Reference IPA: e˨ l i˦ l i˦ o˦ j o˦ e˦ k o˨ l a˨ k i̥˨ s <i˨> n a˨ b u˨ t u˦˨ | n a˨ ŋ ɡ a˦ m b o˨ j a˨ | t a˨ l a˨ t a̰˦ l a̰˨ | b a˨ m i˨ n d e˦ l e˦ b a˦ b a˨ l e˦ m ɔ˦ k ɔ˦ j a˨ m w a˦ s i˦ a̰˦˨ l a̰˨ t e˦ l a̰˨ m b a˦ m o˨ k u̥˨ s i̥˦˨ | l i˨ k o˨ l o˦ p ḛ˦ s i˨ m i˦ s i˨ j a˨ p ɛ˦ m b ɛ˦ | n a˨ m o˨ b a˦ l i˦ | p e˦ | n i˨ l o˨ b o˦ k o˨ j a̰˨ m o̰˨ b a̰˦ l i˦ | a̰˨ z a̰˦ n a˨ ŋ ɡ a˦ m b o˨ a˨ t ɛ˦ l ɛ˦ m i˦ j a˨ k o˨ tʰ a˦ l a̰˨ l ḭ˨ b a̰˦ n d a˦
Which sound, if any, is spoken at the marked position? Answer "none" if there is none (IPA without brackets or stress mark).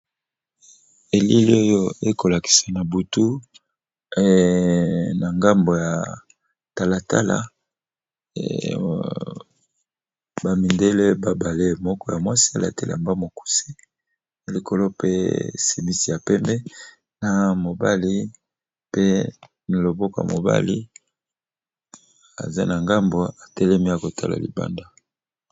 a˨